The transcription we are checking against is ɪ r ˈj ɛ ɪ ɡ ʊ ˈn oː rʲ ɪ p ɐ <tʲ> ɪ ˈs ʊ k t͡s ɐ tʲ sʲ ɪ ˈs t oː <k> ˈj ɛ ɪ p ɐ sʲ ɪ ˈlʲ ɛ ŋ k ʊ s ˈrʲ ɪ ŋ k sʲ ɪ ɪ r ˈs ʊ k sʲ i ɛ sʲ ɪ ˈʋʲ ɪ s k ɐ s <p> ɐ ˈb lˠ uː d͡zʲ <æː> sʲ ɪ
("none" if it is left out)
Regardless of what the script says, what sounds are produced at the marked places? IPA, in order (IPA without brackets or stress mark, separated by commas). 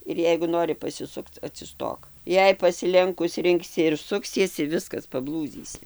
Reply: sʲ, k, p, iː